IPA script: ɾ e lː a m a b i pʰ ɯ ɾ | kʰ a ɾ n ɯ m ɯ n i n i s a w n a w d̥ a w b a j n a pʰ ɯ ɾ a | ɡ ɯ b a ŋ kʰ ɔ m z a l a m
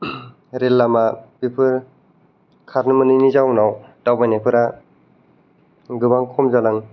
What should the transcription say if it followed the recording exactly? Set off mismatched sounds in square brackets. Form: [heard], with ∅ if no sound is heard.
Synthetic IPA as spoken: ɾ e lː a m a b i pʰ ɯ ɾ | kʰ a ɾ n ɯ m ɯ n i n i [z] a w n a w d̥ a w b a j n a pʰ ɯ ɾ a | ɡ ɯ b a ŋ kʰ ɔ m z a l a [ŋ]

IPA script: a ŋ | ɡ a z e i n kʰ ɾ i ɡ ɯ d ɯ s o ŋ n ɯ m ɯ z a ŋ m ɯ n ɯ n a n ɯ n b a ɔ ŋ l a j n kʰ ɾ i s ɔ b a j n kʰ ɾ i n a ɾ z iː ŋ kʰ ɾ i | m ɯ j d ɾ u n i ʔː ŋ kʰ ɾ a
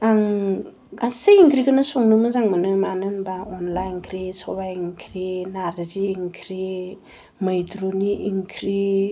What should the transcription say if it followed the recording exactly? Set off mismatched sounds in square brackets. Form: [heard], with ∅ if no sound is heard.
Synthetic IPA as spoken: a ŋ | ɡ a [s] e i [ŋ] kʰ ɾ i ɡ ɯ [n] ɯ s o ŋ n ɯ m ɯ z a ŋ m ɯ n ɯ [m] a n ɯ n b a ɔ [n] l a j n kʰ ɾ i s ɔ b a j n kʰ ɾ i n a ɾ z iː ŋ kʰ ɾ i | m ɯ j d ɾ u n i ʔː ŋ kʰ ɾ [i]

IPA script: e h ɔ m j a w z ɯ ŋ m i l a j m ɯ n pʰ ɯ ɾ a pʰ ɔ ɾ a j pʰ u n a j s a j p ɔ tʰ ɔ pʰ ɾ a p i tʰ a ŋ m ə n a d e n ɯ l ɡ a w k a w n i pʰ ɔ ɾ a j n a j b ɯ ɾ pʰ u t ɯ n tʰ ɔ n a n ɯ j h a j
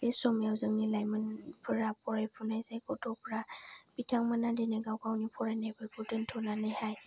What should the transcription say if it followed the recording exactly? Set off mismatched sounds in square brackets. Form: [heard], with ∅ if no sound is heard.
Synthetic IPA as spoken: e [s] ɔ m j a w z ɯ ŋ [n] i l a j m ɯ n pʰ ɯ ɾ a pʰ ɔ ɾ a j pʰ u n a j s a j [k] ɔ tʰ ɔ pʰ ɾ a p i tʰ a ŋ m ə n a d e n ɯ [∅] ɡ a w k a w n i pʰ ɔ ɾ a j n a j b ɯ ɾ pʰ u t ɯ n tʰ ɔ n a n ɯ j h a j

